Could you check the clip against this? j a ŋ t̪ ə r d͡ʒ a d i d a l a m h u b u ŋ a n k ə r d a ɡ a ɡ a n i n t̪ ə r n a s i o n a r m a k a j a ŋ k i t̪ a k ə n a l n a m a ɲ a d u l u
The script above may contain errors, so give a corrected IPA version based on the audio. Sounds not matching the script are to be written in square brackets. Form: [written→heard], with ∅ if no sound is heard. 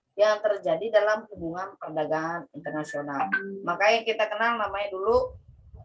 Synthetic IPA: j a ŋ t̪ ə r d͡ʒ a d i d a l a m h u b u ŋ a n [k→p] ə r d a ɡ a [ɡ→ŋ] a n i n t̪ ə r n a s i o n a [r→l] m a k a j a ŋ k i t̪ a k ə n a l n a m a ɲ a d u l u